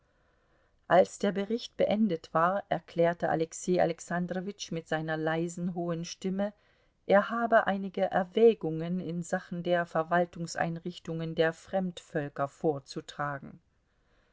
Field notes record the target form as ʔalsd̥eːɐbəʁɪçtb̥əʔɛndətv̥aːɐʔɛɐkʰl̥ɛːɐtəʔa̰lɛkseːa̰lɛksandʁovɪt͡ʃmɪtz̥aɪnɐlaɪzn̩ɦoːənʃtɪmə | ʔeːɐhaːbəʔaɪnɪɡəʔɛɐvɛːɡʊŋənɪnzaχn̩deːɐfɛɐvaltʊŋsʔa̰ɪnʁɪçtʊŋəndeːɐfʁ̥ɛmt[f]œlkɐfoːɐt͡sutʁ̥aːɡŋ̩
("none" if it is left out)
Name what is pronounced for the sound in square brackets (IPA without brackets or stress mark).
f